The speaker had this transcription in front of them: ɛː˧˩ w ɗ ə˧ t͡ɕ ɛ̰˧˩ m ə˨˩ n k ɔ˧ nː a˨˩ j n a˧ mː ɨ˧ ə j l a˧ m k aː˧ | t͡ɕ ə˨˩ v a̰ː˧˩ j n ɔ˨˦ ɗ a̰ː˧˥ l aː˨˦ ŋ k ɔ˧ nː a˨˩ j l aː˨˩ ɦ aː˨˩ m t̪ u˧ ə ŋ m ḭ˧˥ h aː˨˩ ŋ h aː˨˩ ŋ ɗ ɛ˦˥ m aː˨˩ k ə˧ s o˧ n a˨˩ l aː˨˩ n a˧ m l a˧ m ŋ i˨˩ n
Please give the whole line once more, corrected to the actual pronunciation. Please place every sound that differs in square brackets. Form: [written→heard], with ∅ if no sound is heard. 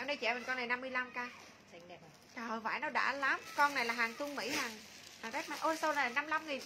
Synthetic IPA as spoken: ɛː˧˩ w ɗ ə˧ t͡ɕ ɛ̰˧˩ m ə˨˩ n k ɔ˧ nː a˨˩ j n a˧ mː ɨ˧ ə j l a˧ m k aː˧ | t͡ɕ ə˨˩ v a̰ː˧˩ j n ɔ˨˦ ɗ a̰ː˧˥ l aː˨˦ [ŋ→m] k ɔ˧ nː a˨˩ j l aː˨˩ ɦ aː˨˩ [m→ŋ] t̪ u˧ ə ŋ m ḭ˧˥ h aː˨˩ ŋ h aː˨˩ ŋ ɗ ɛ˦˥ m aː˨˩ [k→ʔ] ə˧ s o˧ n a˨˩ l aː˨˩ n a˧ m l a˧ m ŋ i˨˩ n